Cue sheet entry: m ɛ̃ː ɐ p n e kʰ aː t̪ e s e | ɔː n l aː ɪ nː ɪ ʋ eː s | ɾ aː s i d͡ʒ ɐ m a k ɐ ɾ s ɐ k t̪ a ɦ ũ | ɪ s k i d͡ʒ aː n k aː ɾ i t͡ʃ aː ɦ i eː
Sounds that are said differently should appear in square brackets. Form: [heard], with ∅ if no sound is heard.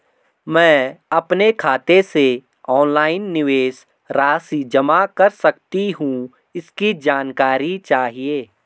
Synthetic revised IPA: m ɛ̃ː ɐ p n e kʰ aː t̪ e s e | ɔː n l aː ɪ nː ɪ ʋ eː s | ɾ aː s i d͡ʒ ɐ m a k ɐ ɾ s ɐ k t̪ [i] ɦ ũ | ɪ s k i d͡ʒ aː n k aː ɾ i t͡ʃ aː ɦ i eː